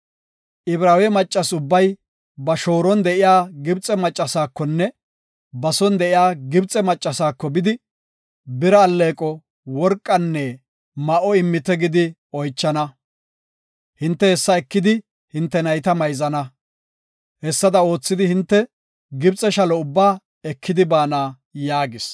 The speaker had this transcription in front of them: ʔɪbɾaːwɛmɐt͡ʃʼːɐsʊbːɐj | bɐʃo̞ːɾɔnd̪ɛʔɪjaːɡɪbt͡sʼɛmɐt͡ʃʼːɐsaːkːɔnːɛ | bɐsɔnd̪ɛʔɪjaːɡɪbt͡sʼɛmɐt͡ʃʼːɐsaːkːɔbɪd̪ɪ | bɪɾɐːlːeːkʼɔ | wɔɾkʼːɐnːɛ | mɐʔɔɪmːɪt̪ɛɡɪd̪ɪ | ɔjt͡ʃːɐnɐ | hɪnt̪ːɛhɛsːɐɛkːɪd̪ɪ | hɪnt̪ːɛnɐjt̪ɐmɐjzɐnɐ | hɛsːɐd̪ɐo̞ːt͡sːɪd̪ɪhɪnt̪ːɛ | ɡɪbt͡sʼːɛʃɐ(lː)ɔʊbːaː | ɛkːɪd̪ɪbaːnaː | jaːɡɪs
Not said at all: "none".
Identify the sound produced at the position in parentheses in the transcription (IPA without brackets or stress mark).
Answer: l